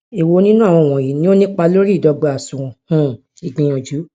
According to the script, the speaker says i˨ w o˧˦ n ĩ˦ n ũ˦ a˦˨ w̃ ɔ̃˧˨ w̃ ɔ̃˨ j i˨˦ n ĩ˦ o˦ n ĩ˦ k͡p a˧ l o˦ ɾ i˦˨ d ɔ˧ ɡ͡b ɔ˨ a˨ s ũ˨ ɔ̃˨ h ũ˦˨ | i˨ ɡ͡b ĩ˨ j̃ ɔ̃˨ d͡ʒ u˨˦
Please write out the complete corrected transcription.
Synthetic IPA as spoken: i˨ w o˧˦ n ĩ˦ n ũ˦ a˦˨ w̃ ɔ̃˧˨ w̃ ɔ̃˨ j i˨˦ n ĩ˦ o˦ n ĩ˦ k͡p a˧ l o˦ ɾ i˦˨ d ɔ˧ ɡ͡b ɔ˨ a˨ s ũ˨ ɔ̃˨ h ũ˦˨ | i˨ ɡ͡b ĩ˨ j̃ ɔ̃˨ d͡ʒ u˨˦